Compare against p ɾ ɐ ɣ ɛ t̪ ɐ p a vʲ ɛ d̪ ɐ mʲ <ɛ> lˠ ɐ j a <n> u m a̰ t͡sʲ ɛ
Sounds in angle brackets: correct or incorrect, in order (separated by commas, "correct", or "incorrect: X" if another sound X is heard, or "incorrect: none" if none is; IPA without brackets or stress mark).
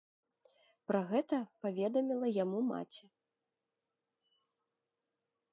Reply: incorrect: i, incorrect: m